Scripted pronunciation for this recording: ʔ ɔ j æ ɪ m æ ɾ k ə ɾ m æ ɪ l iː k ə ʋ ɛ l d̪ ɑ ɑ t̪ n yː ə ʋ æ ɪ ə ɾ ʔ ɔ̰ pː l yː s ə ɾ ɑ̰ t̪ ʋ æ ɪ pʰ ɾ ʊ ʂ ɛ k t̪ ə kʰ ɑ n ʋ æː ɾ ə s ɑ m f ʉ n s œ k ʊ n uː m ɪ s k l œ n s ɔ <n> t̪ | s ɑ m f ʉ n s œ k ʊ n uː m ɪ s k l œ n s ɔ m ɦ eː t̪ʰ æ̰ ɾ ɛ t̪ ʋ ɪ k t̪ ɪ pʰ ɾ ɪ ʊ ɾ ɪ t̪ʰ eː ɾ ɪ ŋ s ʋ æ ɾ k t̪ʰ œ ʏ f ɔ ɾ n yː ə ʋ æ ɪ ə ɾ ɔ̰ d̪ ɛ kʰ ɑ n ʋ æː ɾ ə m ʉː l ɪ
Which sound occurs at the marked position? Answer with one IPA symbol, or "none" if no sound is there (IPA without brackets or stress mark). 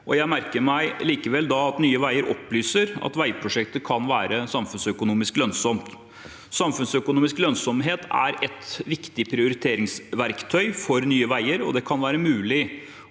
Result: m